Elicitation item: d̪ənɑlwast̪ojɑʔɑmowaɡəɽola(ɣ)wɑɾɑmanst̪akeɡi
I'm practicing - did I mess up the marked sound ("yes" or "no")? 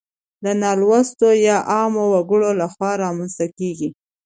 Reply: yes